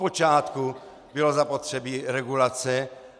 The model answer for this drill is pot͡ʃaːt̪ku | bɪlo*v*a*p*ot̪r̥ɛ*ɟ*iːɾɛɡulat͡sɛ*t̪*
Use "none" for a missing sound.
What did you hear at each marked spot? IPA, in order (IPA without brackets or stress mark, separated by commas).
z, p, b, none